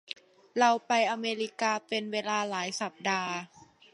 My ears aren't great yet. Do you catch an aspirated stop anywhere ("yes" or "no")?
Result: no